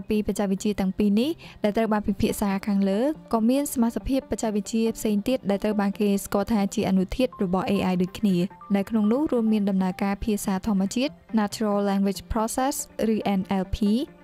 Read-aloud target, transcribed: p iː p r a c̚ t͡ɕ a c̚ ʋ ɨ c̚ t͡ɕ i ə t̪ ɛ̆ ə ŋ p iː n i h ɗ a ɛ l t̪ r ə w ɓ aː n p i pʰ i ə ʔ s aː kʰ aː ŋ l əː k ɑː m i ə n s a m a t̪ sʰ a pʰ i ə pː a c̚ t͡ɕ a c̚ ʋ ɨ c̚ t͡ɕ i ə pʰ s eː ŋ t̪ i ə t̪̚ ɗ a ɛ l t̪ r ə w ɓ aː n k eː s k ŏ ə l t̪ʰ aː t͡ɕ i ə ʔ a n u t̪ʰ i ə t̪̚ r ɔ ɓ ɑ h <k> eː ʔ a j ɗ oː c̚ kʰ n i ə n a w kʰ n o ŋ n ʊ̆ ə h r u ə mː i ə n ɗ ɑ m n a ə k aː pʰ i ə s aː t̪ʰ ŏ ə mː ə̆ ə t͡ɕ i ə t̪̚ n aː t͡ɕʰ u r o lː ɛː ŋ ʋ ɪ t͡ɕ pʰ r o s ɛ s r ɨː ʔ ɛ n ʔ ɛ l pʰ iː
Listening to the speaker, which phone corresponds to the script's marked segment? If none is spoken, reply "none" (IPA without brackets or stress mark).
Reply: ʔ